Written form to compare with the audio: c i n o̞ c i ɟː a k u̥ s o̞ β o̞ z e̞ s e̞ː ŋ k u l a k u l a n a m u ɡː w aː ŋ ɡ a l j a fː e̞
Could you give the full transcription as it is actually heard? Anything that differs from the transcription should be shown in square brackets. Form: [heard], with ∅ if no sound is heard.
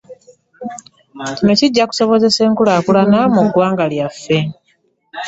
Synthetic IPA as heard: c i n o̞ c i ɟː a k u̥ s o̞ β o̞ z e̞ s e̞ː ŋ k u l a k u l a n a m u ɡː w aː ŋ ɡ a l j a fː e̞